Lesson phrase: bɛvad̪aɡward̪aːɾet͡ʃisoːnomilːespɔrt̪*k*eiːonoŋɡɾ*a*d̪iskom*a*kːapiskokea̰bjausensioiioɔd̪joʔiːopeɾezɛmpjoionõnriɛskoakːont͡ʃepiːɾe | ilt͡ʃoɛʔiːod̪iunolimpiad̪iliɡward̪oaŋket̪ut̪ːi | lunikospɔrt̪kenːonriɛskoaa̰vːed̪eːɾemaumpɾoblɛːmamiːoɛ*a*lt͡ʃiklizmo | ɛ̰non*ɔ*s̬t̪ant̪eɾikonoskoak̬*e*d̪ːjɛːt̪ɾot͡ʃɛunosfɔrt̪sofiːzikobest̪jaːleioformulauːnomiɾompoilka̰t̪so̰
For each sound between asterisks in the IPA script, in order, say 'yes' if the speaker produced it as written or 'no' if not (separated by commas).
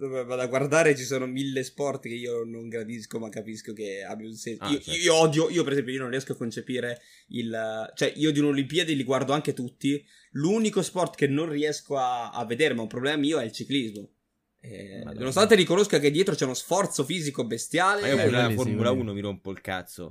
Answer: yes, yes, yes, no, no, yes